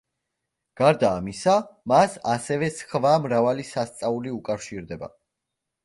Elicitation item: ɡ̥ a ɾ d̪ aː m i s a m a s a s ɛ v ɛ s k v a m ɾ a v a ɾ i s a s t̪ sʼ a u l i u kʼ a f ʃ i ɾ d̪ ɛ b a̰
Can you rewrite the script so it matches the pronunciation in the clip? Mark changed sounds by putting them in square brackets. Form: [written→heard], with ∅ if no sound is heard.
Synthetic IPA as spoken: ɡ̥ a ɾ d̪ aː m i s a m a s a s ɛ v ɛ s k v a m ɾ a v a [ɾ→l] i s a s t̪ sʼ a u l i u kʼ a f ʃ i ɾ d̪ ɛ b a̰